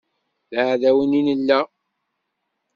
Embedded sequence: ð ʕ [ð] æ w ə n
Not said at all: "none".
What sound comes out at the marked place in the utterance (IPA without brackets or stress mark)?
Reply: ð